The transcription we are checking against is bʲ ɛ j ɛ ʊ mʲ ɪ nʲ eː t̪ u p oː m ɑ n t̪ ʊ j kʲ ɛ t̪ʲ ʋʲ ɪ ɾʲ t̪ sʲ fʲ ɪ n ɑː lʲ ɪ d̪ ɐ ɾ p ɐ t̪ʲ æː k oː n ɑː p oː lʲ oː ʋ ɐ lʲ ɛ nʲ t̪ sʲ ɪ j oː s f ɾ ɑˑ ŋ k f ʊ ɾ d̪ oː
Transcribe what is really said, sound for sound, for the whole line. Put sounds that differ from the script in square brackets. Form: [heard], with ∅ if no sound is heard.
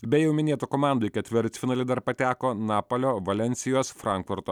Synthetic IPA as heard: bʲ ɛ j ɛ ʊ mʲ ɪ nʲ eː t̪ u [k] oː m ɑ n [d̪] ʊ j kʲ ɛ t̪ʲ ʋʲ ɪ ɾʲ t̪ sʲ fʲ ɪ n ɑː lʲ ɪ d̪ ɐ ɾ p ɐ t̪ʲ æː k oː n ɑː p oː lʲ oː ʋ ɐ lʲ ɛ nʲ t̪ sʲ ɪ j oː s f ɾ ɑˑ ŋ k f ʊ ɾ [t̪] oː